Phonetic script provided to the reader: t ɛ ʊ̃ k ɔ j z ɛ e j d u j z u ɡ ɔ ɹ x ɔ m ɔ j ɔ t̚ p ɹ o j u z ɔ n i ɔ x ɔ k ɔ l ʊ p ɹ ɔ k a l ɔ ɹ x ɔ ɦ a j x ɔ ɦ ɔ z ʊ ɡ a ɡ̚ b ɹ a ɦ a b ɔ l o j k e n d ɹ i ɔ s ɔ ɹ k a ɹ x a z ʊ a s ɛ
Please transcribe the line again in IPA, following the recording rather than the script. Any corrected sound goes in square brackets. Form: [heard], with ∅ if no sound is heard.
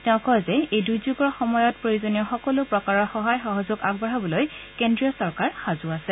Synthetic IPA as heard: t ɛ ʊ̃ k ɔ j z ɛ e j d u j z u ɡ ɔ ɹ x ɔ m ɔ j ɔ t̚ p ɹ o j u z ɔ n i ɔ x ɔ k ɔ l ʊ p ɹ ɔ k a [ɹ] ɔ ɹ x ɔ ɦ a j x ɔ ɦ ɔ z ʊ ɡ a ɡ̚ b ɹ a ɦ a b ɔ l o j k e n d ɹ i ɔ s ɔ ɹ k a ɹ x a z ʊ a s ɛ